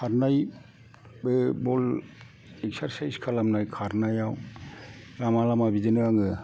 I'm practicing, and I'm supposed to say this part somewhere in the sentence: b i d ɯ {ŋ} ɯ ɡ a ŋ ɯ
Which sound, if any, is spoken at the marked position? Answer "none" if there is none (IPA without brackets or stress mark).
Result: n